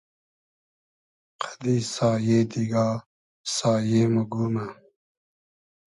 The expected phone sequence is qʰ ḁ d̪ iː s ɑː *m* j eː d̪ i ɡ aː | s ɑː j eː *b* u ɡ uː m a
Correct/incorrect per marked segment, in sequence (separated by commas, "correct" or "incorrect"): incorrect, incorrect